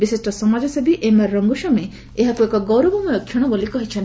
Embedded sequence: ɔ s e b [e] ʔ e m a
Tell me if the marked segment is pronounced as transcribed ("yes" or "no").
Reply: no